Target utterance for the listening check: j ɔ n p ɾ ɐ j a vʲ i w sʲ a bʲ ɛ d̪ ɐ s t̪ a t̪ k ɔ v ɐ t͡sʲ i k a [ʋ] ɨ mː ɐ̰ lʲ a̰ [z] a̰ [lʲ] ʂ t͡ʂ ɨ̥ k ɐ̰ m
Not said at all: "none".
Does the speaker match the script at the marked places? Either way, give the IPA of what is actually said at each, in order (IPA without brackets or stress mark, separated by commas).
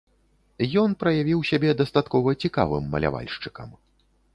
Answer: v, v, lʲ